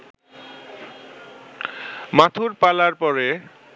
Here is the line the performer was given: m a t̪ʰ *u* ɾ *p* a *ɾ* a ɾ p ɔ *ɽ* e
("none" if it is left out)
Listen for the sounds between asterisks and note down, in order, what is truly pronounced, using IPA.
u, p, l, ɾ

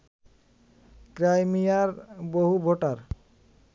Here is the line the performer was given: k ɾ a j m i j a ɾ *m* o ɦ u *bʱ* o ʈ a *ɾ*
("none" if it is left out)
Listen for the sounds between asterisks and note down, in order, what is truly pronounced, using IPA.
b, bʱ, ɾ

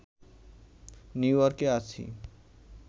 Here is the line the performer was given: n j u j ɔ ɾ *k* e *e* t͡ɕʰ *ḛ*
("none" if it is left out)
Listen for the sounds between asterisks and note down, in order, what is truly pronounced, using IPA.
k, a, ḭ

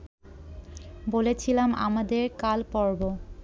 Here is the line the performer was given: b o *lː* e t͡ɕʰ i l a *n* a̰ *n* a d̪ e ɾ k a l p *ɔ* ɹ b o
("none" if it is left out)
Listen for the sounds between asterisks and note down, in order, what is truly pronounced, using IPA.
l, m, m, ɔ

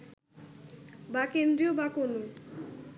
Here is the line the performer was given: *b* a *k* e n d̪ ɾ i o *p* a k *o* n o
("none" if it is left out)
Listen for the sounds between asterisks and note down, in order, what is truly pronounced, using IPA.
b, k, b, o

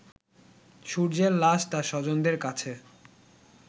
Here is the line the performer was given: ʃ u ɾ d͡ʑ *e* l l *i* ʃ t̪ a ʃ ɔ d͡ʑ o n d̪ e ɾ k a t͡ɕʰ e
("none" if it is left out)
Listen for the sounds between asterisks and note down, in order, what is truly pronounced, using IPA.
e, a

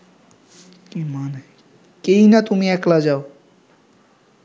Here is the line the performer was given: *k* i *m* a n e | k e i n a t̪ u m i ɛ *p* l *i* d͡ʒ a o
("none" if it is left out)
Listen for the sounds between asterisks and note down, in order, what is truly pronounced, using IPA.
k, m, k, a

